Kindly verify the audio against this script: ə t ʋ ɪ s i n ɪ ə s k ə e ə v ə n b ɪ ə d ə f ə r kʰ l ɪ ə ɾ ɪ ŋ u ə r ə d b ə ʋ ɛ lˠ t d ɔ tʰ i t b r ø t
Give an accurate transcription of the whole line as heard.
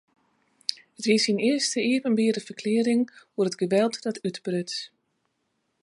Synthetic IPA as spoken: ə t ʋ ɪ s i n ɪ ə s t ə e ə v ə n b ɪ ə d ə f ə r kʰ l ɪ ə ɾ ɪ ŋ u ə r ə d ɡ ə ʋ ɛ lˠ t d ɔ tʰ y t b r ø t